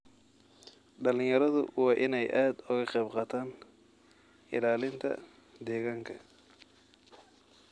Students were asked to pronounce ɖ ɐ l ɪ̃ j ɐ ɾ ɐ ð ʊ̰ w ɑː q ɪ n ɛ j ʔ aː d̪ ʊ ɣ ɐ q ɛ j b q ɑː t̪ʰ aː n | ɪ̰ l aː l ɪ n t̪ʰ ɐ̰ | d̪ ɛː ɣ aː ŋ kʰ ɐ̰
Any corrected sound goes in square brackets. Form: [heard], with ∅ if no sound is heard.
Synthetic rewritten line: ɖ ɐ l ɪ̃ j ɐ ɾ ɐ ð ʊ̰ w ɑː [ʔ] ɪ n ɛ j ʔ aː d̪ ʊ ɣ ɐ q ɛ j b q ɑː t̪ʰ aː n | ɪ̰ l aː l ɪ n t̪ʰ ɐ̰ | d̪ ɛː ɣ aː ŋ kʰ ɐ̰

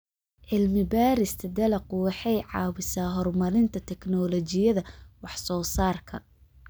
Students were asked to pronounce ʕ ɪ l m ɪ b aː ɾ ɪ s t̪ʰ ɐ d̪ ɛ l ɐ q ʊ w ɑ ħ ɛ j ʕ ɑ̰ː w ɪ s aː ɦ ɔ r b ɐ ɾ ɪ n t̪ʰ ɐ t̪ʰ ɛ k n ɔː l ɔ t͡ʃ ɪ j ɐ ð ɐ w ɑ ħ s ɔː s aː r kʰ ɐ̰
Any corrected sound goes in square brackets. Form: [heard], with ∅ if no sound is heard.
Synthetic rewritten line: ʕ ɪ l m ɪ b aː ɾ ɪ s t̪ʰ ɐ d̪ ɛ l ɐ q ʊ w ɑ ħ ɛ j ʕ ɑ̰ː w ɪ s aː ɦ ɔ r [m] ɐ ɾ ɪ n t̪ʰ ɐ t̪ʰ ɛ k n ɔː l ɔ t͡ʃ ɪ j ɐ ð ɐ w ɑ ħ s ɔː s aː r kʰ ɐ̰

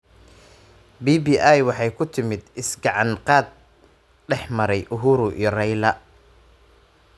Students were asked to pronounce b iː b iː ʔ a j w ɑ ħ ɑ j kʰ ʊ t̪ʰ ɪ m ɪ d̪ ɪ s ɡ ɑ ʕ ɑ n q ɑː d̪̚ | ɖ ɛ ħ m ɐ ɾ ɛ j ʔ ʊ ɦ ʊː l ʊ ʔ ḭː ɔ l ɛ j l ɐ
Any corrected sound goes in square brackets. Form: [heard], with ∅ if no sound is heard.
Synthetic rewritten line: b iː b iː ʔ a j w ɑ ħ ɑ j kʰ ʊ t̪ʰ ɪ m ɪ d̪ ɪ s ɡ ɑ ʕ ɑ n q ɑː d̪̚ | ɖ ɛ ħ m ɐ ɾ ɛ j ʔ ʊ ɦ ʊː [ɾ] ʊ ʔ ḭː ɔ [r] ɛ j l ɐ

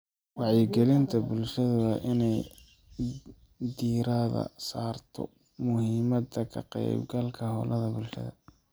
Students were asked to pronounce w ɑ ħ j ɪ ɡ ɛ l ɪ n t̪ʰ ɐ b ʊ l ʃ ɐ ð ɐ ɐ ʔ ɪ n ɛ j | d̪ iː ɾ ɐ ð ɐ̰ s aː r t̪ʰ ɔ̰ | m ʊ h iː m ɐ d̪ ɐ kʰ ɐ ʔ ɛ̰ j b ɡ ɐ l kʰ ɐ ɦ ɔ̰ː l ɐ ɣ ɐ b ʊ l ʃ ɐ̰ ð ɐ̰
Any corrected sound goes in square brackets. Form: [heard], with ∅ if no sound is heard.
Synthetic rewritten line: w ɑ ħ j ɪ ɡ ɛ l ɪ n t̪ʰ ɐ b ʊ l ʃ ɐ ð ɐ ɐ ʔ ɪ n ɛ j | d̪ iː ɾ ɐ ð ɐ̰ s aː r t̪ʰ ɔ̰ | m ʊ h iː m ɐ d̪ ɐ kʰ ɐ [q] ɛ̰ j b ɡ ɐ l kʰ ɐ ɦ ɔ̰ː l ɐ [ð] ɐ b ʊ l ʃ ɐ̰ ð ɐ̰

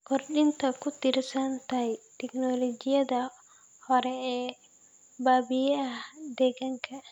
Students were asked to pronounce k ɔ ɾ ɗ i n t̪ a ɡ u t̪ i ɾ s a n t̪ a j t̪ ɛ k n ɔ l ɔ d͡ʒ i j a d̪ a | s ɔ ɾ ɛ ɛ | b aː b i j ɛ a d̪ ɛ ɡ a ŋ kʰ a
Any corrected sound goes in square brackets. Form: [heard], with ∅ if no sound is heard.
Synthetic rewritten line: k ɔ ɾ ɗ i n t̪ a [k] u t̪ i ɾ s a n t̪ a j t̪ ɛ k n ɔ l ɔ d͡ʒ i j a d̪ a | [h] ɔ ɾ ɛ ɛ | b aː b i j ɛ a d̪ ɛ ɡ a ŋ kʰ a

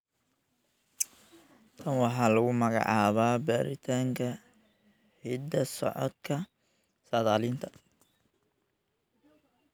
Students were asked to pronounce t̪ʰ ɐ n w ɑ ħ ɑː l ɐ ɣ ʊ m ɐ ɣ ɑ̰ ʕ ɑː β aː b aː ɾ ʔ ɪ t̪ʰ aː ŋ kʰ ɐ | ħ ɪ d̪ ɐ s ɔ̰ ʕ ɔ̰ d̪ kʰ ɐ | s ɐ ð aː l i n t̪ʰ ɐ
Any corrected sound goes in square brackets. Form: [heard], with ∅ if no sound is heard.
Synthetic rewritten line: t̪ʰ ɐ n w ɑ ħ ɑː l ɐ ɣ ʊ m ɐ ɣ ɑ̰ ʕ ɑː β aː b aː ɾ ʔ ɪ t̪ʰ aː ŋ kʰ ɐ | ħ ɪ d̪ ɐ s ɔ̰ ʕ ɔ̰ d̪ kʰ ɐ | s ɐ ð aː l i n t̪ʰ ɐ

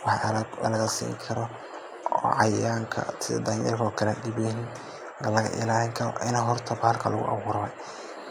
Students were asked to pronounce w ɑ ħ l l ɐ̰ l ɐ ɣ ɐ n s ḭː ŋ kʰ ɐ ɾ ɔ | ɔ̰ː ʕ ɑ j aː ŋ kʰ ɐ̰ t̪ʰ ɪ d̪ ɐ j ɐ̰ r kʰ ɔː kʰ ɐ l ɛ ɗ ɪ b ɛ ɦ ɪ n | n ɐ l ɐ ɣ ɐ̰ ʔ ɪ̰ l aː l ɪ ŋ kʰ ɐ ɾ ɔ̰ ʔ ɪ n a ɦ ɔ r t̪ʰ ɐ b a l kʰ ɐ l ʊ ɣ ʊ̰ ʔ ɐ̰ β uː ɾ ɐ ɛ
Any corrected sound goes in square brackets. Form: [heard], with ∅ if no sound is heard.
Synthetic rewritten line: w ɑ ħ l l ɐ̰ l ɐ ɣ ɐ [∅] s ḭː ŋ kʰ ɐ ɾ ɔ | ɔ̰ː ʕ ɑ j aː ŋ kʰ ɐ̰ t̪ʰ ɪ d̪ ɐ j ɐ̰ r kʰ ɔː kʰ ɐ l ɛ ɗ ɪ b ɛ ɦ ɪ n | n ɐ l ɐ ɣ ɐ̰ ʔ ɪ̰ l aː l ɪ ŋ kʰ ɐ ɾ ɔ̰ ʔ ɪ n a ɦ ɔ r t̪ʰ ɐ b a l kʰ ɐ l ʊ ɣ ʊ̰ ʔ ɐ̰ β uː ɾ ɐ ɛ

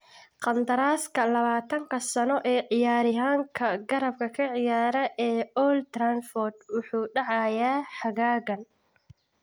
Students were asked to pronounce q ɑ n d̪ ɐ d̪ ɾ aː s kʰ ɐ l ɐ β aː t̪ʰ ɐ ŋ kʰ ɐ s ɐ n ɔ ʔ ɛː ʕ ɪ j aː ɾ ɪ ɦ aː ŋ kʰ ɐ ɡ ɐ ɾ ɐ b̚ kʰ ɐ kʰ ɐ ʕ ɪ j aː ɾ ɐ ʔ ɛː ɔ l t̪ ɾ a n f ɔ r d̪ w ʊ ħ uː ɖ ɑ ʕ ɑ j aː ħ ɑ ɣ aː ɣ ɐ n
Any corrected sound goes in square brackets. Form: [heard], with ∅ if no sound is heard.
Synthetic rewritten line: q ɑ n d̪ ɐ [∅] ɾ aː s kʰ ɐ l ɐ β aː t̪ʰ ɐ ŋ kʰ ɐ s ɐ n ɔ ʔ ɛː ʕ ɪ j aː ɾ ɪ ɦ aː ŋ kʰ ɐ ɡ ɐ ɾ ɐ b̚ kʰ ɐ kʰ ɐ ʕ ɪ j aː ɾ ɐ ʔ ɛː ɔ l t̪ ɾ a n f ɔ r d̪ w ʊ ħ uː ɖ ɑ ʕ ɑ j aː ħ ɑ ɣ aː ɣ ɐ n

